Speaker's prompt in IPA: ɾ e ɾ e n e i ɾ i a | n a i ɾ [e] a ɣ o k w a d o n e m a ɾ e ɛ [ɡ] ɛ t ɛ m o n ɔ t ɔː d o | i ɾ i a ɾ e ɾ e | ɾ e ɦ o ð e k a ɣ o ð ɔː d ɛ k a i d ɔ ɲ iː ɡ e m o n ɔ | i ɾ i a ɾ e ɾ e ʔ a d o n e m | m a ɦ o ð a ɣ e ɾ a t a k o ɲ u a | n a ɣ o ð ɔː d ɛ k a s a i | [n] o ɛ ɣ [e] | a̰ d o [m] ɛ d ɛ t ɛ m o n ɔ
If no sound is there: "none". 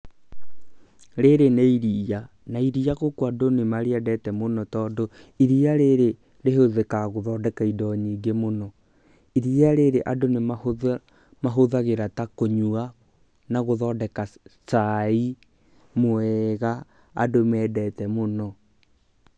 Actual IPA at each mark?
i, d, m, a, m

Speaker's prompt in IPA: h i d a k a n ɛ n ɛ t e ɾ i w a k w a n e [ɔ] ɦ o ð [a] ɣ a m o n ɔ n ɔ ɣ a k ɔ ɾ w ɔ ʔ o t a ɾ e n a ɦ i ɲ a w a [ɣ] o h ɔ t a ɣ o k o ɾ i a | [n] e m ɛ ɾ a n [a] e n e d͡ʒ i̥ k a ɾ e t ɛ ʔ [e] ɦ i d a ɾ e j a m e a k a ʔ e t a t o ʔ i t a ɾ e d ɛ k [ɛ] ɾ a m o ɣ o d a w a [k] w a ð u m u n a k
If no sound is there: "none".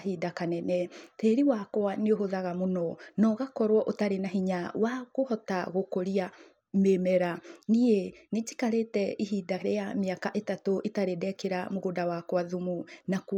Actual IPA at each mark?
o, a, ɣ, m, i, i, e, k

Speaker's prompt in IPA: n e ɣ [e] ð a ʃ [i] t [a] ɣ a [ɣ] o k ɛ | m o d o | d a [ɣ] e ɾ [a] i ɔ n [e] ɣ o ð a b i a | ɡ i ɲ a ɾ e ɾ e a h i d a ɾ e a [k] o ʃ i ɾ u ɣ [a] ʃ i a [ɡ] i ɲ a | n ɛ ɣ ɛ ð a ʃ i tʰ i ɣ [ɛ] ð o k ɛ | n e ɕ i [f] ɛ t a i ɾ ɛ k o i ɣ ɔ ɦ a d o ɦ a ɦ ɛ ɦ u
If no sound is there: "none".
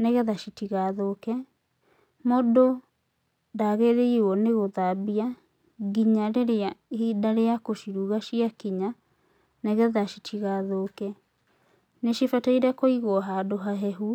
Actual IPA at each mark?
ɛ, i, i, ð, ɣ, e, e, k, a, k, a, f

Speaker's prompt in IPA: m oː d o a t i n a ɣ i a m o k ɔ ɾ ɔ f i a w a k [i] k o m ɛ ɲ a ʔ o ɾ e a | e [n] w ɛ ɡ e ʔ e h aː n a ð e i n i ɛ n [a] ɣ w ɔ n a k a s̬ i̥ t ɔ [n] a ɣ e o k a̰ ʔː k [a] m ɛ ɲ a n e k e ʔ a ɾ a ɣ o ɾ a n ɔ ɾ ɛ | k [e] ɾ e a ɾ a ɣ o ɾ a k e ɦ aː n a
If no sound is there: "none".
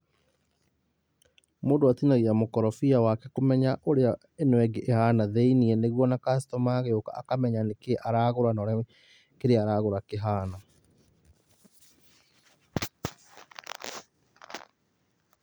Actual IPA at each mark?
ɛ, n, e, m, a, e

